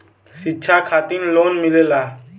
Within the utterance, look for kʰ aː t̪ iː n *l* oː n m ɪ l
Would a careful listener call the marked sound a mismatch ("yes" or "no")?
no